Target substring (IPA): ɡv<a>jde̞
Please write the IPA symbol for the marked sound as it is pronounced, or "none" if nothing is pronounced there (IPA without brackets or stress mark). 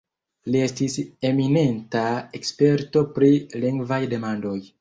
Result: a